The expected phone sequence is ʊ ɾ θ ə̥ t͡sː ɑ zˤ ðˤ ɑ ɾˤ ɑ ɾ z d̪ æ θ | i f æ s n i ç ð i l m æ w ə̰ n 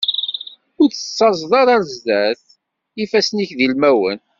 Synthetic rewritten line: ʊ ɾ θ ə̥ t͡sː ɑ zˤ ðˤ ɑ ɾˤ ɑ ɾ z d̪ æ θ | i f æ s n i ç ð i l m æ w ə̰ n

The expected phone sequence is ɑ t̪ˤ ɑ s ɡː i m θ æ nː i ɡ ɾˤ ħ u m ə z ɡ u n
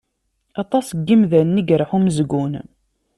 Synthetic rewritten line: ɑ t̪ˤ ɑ s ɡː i m ð æ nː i ɡ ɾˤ ħ u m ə z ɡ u n

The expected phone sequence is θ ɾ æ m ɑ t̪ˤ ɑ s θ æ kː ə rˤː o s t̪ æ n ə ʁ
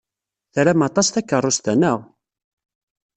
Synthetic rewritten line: θ ɾ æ m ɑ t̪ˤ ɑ s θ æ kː ə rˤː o s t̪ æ n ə ʁ

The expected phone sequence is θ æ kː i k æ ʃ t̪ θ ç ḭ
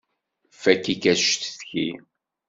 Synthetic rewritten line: f æ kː i k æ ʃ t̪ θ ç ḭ

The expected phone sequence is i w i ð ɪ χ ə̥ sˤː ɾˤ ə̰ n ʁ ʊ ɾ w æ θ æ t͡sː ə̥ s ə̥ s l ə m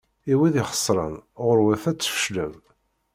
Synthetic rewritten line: i w i ð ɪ χ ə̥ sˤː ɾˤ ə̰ n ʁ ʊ ɾ w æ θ æ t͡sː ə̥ f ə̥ ʃ l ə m

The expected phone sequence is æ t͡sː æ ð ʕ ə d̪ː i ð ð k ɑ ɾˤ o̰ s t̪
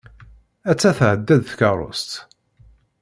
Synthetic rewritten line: æ t͡sː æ θ ʕ ə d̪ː æ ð θ k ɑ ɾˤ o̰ s t̪

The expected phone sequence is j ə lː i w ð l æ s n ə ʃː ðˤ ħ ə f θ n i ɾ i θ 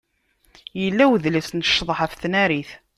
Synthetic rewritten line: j ə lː æ w ð l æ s n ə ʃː ðˤ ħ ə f θ n æ ɾ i θ

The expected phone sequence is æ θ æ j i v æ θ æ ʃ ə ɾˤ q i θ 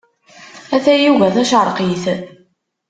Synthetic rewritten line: æ θ æ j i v æ θ æ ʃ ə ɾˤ q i θ

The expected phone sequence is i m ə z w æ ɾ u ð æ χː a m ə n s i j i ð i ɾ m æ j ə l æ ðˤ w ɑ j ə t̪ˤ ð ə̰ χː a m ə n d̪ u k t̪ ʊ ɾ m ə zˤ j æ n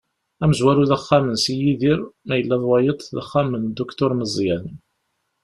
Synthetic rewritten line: æ m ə z w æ ɾ u ð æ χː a m ə n s i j i ð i ɾ m æ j ə lː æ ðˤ w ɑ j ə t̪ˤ ð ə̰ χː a m ə n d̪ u k t̪ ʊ ɾ m ə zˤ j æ n

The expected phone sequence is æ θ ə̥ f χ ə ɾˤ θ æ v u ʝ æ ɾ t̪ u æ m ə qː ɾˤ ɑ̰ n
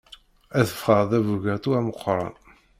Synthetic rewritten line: æ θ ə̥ f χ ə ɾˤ ð æ v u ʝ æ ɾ t̪ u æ m ə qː ɾˤ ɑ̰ n

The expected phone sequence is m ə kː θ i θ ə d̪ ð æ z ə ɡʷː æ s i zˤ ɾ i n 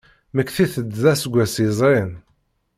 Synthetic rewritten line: m ə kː θ i θ ə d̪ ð æ s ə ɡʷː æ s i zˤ ɾ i n

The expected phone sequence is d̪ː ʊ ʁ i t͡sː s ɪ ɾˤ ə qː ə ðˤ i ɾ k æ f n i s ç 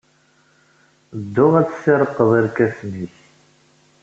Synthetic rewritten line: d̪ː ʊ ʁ æ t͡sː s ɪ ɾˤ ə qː ə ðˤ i ɾ k æ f n i ç

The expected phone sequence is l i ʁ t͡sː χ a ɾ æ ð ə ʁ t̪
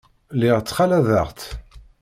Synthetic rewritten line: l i ʁ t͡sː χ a l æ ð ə ʁ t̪

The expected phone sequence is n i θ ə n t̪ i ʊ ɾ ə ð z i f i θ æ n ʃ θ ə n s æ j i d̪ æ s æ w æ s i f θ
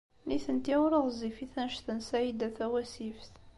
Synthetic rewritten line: n i θ ə n t̪ i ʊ ɾ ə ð z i f i θ æ n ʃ θ ə n s æ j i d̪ æ θ æ w æ s i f θ

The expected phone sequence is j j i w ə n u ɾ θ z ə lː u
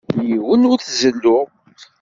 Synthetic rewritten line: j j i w ə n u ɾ θ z ə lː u

